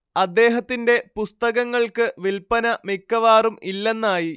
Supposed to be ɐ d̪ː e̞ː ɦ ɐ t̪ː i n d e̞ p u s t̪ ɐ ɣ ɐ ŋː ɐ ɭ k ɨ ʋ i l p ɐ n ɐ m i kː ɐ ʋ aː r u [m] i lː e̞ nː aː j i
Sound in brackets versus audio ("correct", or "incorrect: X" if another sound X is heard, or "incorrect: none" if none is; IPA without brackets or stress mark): correct